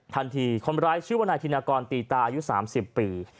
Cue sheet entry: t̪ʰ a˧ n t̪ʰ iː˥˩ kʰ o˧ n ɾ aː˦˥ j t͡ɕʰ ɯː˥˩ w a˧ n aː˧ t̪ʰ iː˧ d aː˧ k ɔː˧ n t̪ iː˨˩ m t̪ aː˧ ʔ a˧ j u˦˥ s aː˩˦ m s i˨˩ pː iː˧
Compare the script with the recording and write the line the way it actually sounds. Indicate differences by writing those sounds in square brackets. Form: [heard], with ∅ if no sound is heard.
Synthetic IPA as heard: t̪ʰ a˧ n t̪ʰ [iː˧] kʰ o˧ n ɾ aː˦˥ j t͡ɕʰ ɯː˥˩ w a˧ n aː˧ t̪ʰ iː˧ [n] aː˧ k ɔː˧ n t̪ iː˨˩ [∅] t̪ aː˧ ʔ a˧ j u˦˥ s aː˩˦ m s i˨˩ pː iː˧